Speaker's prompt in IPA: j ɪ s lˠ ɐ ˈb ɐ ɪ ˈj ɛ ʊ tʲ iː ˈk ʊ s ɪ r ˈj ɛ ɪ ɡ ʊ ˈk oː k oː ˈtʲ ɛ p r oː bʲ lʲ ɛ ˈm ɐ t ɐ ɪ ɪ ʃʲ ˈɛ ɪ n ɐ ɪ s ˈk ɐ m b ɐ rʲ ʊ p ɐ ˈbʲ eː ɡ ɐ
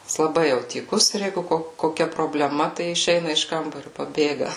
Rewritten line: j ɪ s lˠ ɐ ˈb ɐ ɪ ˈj ɛ ʊ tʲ iː ˈk ʊ s ɪ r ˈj ɛ ɪ ɡ ʊ ˈk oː k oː ˈkʲ ɛ p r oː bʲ lʲ ɛ ˈm ɐ t ɐ ɪ ɪ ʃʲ ˈɛ ɪ n ɐ ɪ ʃ ˈk ɐ m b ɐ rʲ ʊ p ɐ ˈbʲ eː ɡ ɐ